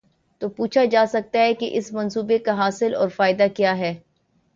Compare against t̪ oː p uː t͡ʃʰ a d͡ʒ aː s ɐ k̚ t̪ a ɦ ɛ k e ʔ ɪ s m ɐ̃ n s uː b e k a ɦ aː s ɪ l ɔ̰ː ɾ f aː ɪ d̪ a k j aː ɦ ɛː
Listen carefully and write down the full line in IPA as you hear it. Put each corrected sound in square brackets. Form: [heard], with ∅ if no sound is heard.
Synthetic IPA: t̪ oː p uː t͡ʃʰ a d͡ʒ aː s ɐ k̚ t̪ a ɦ ɛ k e ʔ ɪ s m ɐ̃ n s uː b e k a ɦ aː s ɪ l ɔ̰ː ɾ f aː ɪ d̪ a k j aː ɦ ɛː